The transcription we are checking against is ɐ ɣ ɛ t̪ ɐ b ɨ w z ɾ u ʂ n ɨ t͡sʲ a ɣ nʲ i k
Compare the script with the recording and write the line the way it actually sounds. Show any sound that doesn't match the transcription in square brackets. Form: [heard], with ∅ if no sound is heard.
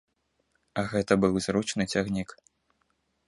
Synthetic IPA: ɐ ɣ ɛ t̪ ɐ b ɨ w z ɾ u [t͡ʂ] n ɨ t͡sʲ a ɣ nʲ i k